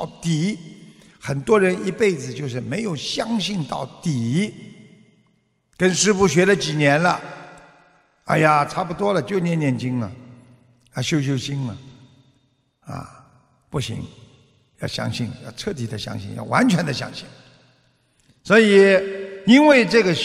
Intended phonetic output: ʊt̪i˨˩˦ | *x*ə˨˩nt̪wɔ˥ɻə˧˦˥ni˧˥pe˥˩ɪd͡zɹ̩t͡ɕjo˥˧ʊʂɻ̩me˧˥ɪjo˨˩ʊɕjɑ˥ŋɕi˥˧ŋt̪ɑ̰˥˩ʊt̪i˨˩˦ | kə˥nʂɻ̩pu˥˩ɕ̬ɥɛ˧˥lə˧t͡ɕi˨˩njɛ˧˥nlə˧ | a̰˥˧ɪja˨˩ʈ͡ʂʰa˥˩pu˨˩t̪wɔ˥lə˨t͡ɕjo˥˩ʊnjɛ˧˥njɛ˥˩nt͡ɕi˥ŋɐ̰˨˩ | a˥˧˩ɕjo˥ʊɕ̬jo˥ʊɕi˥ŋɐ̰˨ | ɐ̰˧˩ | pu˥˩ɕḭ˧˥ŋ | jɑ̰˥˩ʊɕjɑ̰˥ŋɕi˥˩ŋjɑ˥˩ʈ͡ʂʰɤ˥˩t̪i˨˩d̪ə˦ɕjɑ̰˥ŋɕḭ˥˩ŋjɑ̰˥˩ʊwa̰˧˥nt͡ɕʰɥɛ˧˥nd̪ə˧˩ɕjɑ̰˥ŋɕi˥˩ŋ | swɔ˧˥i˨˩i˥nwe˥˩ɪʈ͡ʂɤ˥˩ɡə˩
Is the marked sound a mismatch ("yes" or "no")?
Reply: no